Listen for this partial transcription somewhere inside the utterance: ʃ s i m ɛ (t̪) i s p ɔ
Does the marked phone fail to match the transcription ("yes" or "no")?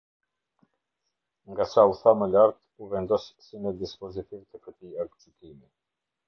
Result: yes